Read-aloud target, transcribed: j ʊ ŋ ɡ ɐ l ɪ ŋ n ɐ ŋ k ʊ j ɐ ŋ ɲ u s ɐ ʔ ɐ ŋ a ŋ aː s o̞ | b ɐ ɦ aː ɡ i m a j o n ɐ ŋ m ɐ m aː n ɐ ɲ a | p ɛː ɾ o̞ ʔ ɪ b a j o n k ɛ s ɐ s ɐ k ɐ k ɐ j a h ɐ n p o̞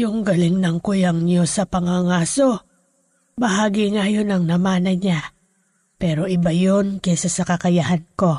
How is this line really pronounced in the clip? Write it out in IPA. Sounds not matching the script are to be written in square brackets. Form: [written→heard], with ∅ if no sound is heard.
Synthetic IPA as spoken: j ʊ ŋ ɡ ɐ l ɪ ŋ n ɐ ŋ k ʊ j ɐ ŋ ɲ [u→o] s ɐ [ʔ→p] ɐ ŋ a ŋ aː s o̞ | b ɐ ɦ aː ɡ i [m→ŋ] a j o n ɐ ŋ [m→n] ɐ m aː n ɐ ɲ a | p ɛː ɾ o̞ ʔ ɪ b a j o n k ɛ s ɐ s ɐ k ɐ k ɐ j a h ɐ n [p→k] o̞